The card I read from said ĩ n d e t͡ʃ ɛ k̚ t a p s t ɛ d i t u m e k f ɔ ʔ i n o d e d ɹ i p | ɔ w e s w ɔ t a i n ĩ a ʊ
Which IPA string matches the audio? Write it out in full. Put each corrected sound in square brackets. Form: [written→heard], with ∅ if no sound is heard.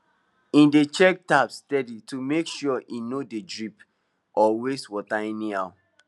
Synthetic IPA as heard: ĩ n d e t͡ʃ ɛ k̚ t a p s t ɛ d i t u m e k [f→ʃ] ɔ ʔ i n o d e d ɹ i p | ɔ w e s w ɔ t a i n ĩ a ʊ